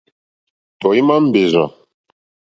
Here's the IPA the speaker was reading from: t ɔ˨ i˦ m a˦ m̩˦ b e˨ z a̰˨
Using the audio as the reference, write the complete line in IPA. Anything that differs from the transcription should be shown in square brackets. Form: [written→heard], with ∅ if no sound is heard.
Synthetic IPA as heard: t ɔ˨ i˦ m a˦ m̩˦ b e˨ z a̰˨